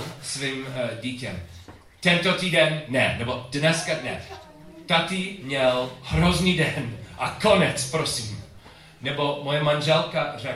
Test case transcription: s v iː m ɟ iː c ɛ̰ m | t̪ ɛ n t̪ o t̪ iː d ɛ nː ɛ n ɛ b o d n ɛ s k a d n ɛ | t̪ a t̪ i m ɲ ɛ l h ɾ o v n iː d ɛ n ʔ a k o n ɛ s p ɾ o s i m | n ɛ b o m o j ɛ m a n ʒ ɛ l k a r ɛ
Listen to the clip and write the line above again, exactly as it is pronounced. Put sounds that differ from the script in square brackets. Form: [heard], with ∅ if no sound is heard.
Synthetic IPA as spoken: s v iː m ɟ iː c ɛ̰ m | t̪ ɛ n t̪ o t̪ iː d ɛ nː ɛ n ɛ b o d n ɛ s k a d n ɛ | t̪ a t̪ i m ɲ ɛ l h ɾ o [z] n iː d ɛ n ʔ a k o n ɛ [t͡s] p ɾ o s i m | n ɛ b o m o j ɛ m a n ʒ ɛ l k a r ɛ